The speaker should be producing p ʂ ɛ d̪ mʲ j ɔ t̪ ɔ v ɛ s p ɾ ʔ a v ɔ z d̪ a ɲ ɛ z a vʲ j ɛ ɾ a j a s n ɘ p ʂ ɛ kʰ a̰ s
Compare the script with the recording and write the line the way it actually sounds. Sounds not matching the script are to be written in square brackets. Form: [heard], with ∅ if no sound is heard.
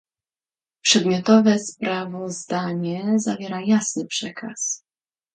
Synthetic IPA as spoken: p ʂ ɛ d̪ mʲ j ɔ t̪ ɔ v ɛ s p ɾ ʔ a v ɔ z d̪ a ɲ ɛ z a vʲ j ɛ ɾ a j a s n ɘ p ʂ ɛ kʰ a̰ s